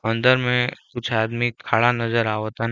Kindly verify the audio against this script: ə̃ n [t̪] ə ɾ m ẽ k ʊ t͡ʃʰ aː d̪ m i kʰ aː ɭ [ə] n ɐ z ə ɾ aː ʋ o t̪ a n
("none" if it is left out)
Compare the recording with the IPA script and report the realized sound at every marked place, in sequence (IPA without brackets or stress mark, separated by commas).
d̪, a